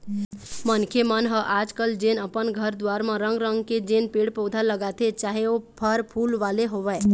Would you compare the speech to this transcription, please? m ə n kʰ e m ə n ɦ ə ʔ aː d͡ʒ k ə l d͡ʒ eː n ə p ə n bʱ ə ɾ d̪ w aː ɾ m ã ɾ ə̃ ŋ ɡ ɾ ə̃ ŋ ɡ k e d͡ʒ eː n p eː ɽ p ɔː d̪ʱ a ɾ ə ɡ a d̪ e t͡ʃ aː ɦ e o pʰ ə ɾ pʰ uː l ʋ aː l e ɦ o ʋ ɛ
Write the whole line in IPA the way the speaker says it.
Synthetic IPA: m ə n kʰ e m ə n ɦ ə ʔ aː d͡ʒ k ə l d͡ʒ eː n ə p ə n ɡʱ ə ɾ d̪ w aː ɾ m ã ɾ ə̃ ŋ ɡ ɾ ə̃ ŋ ɡ k e d͡ʒ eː n p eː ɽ p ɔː d̪ʱ a l ə ɡ a t̪ e t͡ʃ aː ɦ e o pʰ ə ɾ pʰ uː l ʋ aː l e ɦ o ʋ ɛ